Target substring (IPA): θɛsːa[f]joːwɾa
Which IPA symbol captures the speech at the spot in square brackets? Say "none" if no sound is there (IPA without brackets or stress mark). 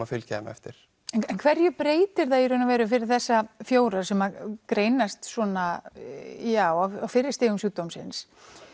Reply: f